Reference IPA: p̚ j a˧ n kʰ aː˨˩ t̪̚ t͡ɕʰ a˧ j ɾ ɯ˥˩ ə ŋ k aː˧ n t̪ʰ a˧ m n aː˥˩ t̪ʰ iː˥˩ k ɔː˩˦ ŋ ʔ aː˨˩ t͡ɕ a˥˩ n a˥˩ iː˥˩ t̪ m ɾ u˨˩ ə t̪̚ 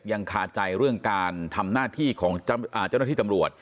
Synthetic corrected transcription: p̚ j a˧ ŋ kʰ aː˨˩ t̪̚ t͡ɕ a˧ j ɾ ɯ˥˩ ə ŋ k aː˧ n t̪ʰ a˧ m n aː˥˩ t̪ʰ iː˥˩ kʰ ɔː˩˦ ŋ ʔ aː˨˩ t͡ɕ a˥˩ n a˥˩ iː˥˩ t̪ m ɾ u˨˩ ə t̪̚

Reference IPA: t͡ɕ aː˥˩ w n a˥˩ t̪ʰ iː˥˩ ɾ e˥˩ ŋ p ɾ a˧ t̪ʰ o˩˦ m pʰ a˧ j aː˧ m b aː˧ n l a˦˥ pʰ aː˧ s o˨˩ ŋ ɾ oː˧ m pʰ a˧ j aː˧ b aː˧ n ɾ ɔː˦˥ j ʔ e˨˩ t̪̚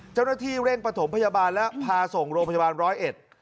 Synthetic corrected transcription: t͡ɕ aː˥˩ w n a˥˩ t̪ʰ iː˥˩ ɾ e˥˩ ŋ p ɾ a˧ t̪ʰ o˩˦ m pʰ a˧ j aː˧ b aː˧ n l ɛ˦˥ pʰ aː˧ s o˨˩ ŋ ɾ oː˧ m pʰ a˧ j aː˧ b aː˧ n ɾ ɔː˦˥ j ʔ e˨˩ t̪̚

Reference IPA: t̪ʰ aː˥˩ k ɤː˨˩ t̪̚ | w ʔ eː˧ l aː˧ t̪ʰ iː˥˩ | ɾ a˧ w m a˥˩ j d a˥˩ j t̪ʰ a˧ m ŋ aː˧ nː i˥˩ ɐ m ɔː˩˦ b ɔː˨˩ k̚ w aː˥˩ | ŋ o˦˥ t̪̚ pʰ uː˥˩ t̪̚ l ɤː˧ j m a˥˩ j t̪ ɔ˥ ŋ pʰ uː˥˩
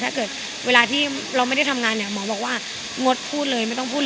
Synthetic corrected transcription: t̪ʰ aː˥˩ k ɤː˨˩ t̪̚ | w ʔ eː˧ l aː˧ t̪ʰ iː˥˩ | ɾ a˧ w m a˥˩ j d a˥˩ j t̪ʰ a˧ m ŋ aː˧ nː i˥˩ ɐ m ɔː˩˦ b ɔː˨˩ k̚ w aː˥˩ | ŋ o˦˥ t̪̚ pʰ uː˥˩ t̪̚ l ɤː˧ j m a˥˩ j t̪ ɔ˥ ŋ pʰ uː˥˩

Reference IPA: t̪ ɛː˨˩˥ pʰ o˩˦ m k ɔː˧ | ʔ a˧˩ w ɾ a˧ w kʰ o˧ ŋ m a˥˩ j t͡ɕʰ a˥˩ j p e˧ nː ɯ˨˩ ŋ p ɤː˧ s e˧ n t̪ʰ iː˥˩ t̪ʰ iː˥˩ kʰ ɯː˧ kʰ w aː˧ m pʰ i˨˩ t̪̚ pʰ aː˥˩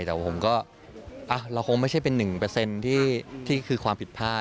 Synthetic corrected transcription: t̪ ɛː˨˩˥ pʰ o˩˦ m k ɔː˥˩ | ʔ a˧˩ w ɾ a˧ w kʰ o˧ ŋ m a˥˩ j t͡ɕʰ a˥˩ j p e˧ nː ɯ˨˩ ŋ p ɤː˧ s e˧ n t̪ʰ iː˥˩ t̪ʰ iː˥˩ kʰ ɯː˧ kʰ w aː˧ m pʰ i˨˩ t̪̚ pʰ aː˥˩

